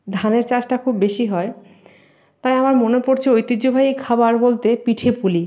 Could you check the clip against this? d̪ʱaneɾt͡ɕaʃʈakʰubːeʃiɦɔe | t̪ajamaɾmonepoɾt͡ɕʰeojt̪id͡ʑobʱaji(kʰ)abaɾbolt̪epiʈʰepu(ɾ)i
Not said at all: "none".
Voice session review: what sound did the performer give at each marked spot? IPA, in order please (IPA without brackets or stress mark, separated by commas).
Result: kʰ, l